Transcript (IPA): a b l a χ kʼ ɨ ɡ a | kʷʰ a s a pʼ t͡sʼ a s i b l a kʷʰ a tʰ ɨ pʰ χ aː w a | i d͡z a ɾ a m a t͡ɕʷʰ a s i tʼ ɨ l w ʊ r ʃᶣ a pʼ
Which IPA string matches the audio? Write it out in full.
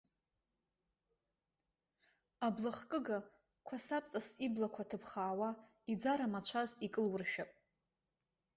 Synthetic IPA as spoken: a b l a χ kʼ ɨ ɡ a | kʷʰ a s a pʼ t͡sʼ a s i b l a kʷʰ a tʰ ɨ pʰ χ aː w a | i d͡z a ɾ a m a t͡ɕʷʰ a z i kʼ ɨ l w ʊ r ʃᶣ a pʼ